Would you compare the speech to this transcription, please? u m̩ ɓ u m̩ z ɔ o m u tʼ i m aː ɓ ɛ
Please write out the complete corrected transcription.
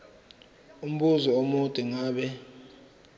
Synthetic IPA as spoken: u m̩ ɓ u z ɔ o m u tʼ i ŋ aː ɓ ɛ